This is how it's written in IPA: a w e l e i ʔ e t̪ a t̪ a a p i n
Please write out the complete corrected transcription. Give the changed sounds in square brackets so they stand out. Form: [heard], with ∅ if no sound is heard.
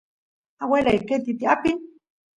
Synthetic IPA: a w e l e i [k] e t̪ [i] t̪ [i] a p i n